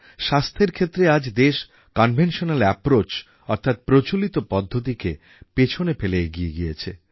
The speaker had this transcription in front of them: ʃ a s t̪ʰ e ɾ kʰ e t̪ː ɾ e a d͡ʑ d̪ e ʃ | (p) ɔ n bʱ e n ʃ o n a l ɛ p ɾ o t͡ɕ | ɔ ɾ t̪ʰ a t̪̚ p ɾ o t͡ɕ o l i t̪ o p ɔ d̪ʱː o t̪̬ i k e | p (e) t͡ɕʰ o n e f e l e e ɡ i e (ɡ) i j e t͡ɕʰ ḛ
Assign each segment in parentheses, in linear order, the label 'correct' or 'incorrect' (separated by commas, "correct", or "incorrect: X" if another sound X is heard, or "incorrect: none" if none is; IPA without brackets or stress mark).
incorrect: k, correct, correct